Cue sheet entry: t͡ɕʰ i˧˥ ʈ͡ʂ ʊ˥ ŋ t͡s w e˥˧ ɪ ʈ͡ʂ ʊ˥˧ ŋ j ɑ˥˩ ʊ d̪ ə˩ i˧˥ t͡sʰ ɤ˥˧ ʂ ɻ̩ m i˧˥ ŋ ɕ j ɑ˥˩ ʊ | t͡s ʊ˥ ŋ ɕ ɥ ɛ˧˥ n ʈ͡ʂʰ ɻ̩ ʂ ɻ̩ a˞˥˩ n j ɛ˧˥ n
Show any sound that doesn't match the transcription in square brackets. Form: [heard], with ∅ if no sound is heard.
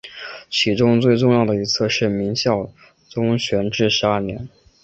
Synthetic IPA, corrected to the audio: t͡ɕʰ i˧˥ ʈ͡ʂ ʊ˥ ŋ t͡s w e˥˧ ɪ ʈ͡ʂ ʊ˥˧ ŋ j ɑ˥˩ ʊ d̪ ə˩ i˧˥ t͡sʰ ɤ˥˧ ʂ ɻ̩ m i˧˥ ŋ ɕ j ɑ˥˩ ʊ | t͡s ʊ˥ ŋ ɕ ɥ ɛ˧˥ n [ʈ͡ʂ] ɻ̩ ʂ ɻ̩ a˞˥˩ n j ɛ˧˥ n